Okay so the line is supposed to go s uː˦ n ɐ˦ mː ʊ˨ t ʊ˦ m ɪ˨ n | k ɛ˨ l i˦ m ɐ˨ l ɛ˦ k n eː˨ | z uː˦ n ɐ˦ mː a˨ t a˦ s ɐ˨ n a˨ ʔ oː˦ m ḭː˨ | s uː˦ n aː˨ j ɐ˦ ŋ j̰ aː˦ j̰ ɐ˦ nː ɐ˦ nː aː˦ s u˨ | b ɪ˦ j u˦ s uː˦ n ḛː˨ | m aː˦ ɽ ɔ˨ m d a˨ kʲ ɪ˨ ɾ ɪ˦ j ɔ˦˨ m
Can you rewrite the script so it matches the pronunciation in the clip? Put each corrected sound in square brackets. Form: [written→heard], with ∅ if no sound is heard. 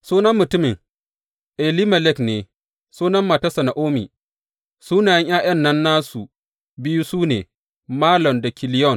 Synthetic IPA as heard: s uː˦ n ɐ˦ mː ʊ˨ t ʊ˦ m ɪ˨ [n→ŋ] | [k→ʔ] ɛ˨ l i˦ m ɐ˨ l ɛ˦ k n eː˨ | [z→s] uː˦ n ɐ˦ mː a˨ t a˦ s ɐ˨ n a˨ ʔ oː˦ m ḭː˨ | s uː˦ n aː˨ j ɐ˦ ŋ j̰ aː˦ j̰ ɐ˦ nː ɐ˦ nː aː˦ s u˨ | b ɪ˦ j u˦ s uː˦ n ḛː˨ | m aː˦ [ɽ→l] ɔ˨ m d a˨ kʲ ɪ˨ [ɾ→l] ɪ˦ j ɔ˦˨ [m→n]